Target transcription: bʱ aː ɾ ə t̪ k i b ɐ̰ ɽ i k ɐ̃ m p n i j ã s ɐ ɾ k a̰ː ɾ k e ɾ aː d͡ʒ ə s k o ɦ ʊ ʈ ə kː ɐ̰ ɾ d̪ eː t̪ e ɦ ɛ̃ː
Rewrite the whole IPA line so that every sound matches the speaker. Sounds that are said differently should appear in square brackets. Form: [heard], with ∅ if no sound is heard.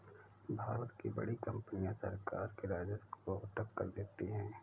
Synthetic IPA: bʱ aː ɾ ə t̪ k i b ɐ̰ ɽ i k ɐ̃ m p n i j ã s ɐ ɾ k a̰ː ɾ k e ɾ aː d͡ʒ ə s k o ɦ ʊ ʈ ə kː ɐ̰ ɾ d̪ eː t̪ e ɦ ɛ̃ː